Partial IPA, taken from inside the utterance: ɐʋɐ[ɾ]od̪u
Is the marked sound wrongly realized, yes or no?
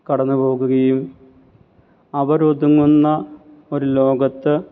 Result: no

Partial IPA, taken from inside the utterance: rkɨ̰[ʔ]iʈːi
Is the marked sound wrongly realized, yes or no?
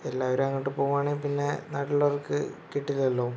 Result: yes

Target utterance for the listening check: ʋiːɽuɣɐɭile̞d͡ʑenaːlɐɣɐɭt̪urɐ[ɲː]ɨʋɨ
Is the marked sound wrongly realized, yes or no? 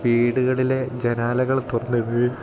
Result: yes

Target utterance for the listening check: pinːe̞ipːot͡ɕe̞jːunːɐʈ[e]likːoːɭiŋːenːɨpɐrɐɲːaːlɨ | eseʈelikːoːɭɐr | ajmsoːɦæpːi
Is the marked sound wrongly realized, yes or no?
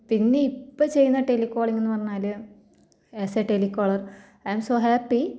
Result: no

